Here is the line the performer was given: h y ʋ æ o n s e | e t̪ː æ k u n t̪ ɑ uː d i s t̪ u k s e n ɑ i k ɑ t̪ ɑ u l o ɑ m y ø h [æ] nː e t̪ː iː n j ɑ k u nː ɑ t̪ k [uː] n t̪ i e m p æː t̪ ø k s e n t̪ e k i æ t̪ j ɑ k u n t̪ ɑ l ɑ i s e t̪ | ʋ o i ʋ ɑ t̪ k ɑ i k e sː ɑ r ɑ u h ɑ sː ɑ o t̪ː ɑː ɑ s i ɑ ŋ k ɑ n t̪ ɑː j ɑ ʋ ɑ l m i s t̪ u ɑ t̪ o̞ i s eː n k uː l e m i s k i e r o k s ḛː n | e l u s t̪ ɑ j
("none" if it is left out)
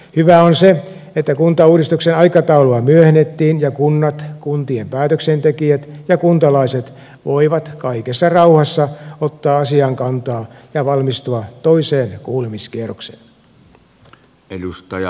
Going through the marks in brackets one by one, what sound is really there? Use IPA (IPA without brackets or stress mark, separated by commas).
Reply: e, u